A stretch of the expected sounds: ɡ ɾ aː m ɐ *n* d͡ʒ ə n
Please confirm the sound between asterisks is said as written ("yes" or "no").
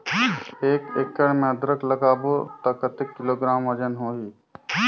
no